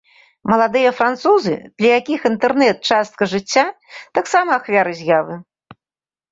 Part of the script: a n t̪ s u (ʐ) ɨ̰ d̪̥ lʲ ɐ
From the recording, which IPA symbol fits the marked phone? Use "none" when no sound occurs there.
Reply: z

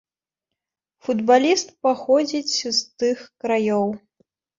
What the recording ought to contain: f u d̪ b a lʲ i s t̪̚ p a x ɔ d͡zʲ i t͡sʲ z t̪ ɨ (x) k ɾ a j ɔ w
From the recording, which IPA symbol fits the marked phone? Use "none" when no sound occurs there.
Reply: x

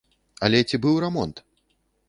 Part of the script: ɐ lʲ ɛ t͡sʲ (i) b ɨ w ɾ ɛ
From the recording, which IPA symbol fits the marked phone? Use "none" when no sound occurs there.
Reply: i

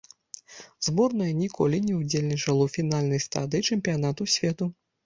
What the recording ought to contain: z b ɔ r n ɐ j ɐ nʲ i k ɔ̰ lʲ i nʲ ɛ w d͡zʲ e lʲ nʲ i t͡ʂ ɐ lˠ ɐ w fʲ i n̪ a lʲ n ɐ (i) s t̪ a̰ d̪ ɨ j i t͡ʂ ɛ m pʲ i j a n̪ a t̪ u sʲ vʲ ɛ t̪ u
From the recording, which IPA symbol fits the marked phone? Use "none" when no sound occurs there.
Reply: j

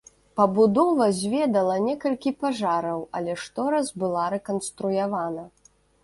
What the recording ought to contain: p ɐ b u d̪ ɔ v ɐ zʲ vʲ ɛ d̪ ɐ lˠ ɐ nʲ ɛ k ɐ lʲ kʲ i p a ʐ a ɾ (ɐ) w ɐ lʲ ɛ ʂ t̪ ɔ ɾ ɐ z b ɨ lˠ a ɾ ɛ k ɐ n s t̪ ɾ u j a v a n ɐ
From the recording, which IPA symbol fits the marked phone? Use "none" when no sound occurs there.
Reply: ɐ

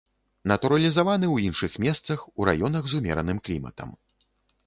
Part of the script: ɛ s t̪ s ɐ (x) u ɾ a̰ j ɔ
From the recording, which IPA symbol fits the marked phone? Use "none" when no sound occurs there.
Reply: x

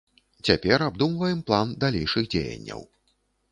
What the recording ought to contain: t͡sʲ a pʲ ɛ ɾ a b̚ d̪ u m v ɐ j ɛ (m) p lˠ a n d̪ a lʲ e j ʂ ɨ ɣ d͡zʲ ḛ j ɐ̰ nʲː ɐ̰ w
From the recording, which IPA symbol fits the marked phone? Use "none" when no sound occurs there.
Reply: m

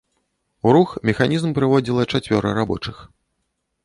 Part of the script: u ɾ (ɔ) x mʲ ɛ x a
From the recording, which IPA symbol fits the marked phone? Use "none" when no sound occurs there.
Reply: u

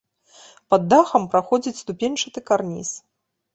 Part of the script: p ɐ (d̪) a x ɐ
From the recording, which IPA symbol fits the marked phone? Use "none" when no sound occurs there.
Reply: d̪ː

